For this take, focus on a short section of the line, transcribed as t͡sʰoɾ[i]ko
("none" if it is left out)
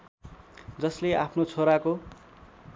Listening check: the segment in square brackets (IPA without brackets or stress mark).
a